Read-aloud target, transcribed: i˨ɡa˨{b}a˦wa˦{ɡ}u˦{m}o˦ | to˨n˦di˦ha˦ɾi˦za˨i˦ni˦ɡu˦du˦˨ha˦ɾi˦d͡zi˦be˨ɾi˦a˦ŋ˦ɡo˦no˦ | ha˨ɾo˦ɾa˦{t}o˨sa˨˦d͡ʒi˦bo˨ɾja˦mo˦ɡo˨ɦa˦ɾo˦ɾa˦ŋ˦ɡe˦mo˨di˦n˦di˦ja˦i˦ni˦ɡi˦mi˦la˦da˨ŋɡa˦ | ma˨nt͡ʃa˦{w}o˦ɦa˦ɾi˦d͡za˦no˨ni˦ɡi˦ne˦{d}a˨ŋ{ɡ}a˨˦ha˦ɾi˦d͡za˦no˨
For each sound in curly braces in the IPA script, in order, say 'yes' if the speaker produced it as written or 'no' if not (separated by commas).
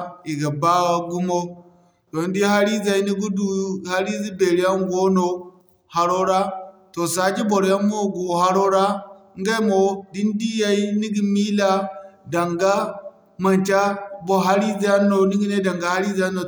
yes, yes, yes, yes, no, yes, yes